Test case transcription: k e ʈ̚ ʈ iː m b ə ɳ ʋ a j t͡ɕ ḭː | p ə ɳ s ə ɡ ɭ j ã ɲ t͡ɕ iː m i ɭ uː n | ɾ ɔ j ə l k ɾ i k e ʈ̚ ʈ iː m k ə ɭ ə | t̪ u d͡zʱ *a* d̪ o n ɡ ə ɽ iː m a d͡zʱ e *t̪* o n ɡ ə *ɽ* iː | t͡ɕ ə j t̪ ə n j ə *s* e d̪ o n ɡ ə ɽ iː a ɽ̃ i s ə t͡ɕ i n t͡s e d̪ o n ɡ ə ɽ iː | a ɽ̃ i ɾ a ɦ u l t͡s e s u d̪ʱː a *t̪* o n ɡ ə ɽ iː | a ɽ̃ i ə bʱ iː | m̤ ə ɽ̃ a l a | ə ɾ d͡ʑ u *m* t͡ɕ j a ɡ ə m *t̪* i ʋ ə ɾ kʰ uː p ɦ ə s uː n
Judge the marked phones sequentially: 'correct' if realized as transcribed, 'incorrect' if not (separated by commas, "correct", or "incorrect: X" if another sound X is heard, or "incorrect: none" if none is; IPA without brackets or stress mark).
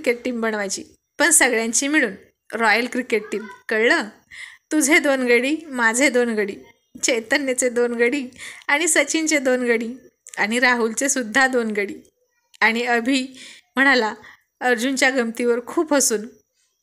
incorrect: e, incorrect: d̪, correct, incorrect: t͡s, incorrect: d̪, incorrect: n, correct